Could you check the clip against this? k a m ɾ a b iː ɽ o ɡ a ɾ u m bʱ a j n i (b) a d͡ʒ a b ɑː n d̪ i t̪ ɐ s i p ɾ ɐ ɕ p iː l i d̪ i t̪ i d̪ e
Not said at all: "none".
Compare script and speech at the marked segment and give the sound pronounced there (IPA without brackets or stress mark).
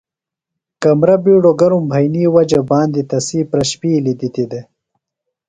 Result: w